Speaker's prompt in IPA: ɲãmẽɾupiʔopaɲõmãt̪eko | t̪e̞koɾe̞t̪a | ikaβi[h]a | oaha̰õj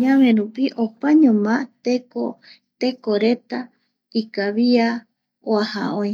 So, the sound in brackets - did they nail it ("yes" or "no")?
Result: no